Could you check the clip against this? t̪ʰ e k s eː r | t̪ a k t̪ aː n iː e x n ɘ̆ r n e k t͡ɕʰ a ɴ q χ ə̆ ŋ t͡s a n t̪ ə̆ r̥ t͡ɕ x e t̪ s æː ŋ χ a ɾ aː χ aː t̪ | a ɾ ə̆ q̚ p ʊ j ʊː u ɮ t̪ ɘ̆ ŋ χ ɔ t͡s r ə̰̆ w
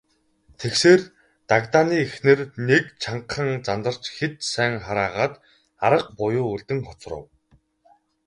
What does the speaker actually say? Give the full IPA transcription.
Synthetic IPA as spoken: t̪ʰ e k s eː r | t̪ a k t̪ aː n iː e x n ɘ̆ r n e k t͡ɕʰ a ɴ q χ ə̆ ŋ t͡s a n t̪ ə̆ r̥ t͡ɕ x e t̪ s æː ŋ χ a ɾ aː ʁ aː t̪ | a ɾ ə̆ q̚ p ʊ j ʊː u ɮ t̪ ɘ̆ ŋ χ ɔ t͡s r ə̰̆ w